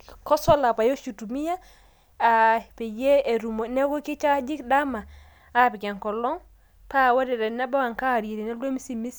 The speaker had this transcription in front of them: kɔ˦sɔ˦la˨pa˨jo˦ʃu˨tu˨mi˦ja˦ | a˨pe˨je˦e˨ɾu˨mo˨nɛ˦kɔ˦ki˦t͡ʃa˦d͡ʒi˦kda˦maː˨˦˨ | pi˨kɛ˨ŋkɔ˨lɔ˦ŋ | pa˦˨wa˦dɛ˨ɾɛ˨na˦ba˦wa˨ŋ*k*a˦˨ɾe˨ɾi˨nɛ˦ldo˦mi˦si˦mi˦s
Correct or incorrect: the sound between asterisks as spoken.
correct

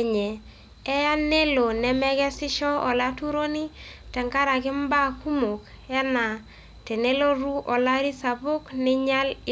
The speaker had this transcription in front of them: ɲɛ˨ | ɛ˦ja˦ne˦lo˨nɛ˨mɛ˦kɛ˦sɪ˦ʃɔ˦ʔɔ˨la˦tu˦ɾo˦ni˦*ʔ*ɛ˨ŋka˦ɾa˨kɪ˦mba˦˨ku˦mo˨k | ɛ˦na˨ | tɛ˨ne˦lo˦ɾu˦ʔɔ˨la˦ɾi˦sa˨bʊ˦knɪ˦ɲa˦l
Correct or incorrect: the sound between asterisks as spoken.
incorrect: t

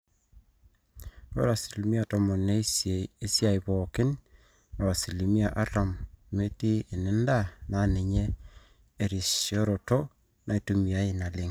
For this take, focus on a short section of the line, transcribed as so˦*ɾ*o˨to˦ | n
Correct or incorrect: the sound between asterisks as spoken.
correct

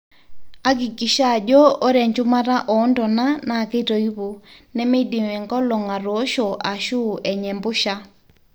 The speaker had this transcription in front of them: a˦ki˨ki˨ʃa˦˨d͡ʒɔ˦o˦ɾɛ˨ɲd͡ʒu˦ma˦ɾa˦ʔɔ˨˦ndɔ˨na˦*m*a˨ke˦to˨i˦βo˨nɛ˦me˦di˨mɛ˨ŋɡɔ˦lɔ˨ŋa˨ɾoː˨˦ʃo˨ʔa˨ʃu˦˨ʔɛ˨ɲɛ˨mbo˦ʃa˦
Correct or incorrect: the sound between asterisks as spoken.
incorrect: n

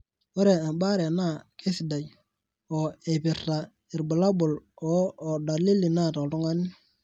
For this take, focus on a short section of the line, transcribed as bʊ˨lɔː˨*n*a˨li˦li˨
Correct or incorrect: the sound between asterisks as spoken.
incorrect: d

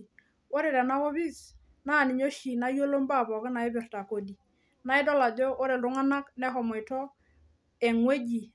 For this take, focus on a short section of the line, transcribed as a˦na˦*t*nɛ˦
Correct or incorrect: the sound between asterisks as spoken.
incorrect: k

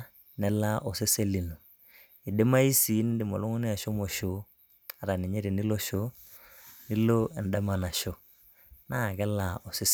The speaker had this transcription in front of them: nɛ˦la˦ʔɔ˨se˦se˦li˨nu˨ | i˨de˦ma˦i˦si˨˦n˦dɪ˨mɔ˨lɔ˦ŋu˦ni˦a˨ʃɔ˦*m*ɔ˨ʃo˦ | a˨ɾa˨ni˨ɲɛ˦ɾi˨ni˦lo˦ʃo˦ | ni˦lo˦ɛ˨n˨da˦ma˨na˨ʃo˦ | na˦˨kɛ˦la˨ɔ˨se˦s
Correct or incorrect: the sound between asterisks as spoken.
correct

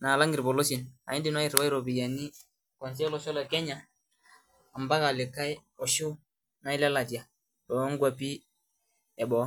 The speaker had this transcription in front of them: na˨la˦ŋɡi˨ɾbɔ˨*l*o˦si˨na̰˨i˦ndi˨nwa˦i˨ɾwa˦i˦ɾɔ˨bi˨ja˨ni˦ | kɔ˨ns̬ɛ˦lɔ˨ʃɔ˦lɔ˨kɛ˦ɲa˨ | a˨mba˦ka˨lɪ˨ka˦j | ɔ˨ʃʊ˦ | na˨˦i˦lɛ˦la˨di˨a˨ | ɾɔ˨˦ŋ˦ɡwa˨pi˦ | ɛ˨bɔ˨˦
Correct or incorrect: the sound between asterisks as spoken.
correct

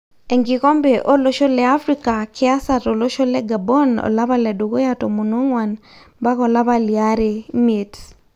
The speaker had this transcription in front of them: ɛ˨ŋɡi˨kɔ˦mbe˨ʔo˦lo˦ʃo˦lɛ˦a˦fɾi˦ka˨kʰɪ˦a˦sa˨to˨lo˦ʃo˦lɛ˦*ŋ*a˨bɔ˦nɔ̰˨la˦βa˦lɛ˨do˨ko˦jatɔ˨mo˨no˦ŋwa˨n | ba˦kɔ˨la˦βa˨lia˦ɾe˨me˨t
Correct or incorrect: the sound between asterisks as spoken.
incorrect: ɡ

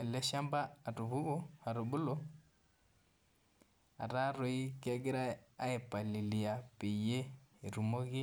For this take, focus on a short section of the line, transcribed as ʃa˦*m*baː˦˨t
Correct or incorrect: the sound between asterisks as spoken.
correct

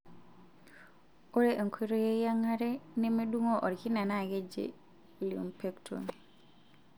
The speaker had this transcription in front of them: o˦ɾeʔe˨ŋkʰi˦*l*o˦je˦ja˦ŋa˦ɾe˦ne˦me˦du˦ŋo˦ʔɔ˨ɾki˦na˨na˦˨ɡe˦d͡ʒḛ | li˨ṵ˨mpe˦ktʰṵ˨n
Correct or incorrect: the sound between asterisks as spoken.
incorrect: ɾ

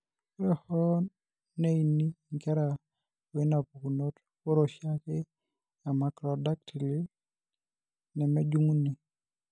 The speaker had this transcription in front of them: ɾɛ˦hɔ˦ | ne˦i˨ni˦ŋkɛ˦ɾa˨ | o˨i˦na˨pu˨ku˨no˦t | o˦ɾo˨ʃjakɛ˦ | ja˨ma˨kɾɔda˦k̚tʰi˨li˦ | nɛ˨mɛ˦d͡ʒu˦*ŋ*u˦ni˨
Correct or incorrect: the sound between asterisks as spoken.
correct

